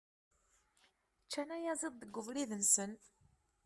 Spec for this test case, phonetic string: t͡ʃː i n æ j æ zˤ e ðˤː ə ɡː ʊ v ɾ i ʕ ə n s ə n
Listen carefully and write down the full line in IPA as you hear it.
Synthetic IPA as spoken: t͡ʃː æ n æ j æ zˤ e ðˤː ə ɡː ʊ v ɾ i ð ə n s ə n